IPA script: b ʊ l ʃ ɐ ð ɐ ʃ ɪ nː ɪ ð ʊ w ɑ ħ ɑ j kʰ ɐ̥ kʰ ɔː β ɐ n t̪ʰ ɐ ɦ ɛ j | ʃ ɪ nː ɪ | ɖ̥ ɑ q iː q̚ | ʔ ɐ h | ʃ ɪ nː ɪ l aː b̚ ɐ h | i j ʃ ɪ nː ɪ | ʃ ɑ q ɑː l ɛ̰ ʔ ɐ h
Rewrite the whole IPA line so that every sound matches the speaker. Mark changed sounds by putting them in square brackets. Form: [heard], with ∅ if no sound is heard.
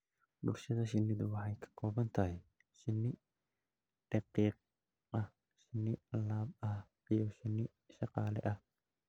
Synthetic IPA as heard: b ʊ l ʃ ɐ ð ɐ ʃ ɪ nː ɪ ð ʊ w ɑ ħ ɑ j kʰ ɐ̥ kʰ ɔː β ɐ n t̪ʰ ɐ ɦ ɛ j | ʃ ɪ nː ɪ | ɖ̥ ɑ q iː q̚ | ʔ ɐ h | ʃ ɪ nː ɪ l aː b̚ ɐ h | i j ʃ ɪ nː ɪ | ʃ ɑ q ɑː l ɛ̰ ʔ ɐ h